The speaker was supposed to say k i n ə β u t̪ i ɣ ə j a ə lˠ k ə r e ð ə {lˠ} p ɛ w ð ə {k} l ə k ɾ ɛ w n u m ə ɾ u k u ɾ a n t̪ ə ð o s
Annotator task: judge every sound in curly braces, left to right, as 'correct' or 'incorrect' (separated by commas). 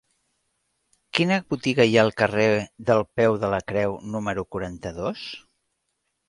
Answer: correct, incorrect